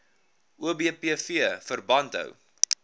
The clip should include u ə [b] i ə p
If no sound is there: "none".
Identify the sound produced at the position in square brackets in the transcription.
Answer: b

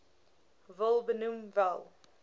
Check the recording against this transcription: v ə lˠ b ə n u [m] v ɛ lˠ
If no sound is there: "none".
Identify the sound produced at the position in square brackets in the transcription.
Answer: m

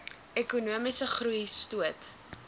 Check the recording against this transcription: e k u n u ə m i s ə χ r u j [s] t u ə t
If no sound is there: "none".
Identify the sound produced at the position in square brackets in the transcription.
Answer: s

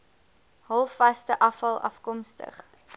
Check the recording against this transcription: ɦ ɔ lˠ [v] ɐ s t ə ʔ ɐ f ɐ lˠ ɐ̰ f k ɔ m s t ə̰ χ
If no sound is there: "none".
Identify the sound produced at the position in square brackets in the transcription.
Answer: f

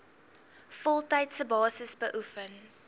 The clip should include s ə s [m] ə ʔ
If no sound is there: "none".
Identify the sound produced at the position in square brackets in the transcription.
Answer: b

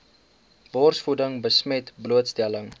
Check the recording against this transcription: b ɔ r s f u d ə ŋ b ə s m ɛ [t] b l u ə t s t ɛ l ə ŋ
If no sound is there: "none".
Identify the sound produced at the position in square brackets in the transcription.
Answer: t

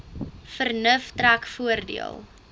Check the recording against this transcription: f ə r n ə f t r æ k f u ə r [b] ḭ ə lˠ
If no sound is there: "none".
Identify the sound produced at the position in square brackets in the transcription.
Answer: d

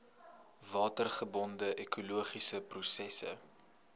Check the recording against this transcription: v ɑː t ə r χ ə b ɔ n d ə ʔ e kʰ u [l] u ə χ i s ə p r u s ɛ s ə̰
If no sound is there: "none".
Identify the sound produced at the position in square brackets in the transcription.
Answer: l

